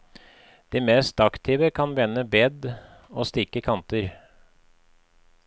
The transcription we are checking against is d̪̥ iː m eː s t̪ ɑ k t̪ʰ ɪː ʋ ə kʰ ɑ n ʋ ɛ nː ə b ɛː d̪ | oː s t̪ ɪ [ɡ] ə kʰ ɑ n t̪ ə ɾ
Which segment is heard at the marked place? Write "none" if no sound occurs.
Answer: k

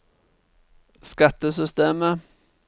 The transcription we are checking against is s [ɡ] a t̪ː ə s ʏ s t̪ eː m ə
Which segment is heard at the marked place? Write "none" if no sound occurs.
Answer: k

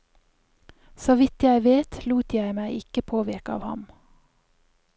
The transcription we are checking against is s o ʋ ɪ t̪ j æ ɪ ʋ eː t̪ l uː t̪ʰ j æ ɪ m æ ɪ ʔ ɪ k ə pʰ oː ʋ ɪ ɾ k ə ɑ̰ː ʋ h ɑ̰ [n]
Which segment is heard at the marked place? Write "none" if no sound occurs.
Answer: m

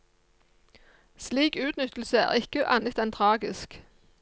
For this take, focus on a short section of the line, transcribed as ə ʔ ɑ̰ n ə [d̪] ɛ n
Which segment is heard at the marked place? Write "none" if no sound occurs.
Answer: t̪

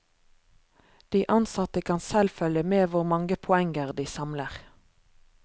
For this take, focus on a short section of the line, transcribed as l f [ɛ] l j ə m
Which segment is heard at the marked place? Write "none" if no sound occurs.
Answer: œ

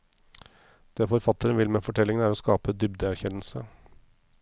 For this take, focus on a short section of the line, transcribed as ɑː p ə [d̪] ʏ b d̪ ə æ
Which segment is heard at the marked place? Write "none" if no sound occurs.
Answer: d̪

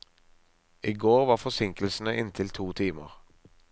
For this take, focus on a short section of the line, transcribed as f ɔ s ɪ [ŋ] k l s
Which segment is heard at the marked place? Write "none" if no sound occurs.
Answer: ŋ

